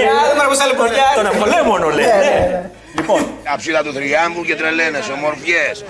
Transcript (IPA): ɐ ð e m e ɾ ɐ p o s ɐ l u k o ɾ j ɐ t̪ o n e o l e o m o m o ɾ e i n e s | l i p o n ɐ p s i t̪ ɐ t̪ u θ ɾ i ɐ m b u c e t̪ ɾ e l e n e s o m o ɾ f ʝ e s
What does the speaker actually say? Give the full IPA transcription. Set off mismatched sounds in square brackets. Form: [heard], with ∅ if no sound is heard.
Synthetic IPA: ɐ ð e m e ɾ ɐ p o s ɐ l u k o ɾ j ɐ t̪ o n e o l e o m o [n] o [l] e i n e [∅] | l i p o n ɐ p s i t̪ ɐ t̪ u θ ɾ i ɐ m b u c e t̪ ɾ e l e n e s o m o ɾ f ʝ e s